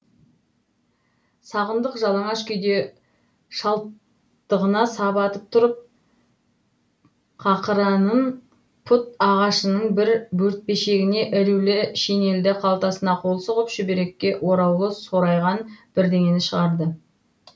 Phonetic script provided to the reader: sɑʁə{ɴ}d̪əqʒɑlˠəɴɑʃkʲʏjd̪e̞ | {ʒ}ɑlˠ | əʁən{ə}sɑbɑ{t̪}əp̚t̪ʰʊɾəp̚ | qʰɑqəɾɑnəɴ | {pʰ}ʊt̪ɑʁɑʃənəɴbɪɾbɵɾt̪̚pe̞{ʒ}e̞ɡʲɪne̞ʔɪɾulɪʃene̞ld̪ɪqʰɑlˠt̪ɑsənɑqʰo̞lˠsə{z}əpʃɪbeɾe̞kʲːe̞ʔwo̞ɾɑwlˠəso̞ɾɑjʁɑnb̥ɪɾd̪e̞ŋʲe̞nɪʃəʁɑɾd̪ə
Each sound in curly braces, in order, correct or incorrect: incorrect: n, incorrect: ʃ, incorrect: ɑ, correct, correct, incorrect: ʃ, incorrect: ʁ

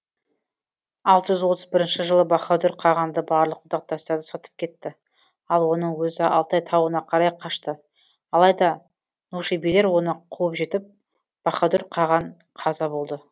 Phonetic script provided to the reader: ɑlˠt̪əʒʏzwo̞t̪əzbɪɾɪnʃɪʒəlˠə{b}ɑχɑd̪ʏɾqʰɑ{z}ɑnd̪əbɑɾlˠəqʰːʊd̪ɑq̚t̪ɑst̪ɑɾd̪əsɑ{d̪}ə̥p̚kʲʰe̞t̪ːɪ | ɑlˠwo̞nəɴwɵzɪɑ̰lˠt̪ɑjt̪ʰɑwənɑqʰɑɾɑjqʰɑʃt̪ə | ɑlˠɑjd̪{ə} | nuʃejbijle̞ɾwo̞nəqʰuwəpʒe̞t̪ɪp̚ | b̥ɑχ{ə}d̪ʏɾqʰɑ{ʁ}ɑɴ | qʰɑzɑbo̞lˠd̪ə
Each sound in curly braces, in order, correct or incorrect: correct, incorrect: ʁ, incorrect: t̪, incorrect: ɑ, incorrect: ɑ, correct

